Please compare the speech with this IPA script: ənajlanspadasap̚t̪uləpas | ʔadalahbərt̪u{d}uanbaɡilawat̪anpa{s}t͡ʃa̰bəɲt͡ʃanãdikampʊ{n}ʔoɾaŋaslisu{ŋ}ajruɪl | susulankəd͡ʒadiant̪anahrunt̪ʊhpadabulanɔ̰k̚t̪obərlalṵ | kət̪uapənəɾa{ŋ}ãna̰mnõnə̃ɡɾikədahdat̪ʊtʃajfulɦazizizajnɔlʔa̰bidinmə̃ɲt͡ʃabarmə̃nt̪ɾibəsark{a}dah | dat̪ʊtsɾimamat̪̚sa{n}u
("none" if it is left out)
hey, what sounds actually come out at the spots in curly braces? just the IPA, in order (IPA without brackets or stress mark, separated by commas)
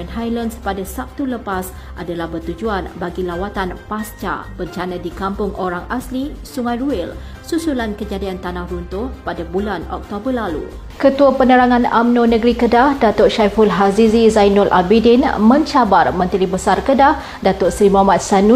d͡ʒ, s, ŋ, ŋ, ŋ, ə, n